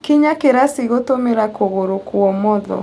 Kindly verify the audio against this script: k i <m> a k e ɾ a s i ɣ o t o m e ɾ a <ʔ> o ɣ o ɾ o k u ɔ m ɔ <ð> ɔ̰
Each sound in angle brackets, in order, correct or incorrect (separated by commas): incorrect, incorrect, correct